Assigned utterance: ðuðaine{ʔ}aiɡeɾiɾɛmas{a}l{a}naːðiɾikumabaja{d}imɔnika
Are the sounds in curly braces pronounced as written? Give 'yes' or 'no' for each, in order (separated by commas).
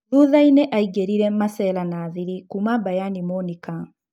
yes, no, yes, no